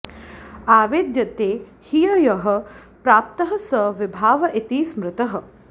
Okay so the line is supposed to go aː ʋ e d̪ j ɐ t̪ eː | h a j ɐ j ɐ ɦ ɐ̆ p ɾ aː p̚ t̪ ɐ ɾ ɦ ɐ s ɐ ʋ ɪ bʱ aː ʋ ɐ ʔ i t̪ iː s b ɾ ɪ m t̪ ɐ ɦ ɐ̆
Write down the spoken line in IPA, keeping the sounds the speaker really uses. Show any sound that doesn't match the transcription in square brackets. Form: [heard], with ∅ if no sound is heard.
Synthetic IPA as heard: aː ʋ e d̪ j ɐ t̪ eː | h [i] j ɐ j ɐ ɦ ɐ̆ p ɾ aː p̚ t̪ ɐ [∅] ɦ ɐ s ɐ ʋ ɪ bʱ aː ʋ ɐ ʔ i t̪ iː s [m] ɾ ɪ [∅] t̪ ɐ ɦ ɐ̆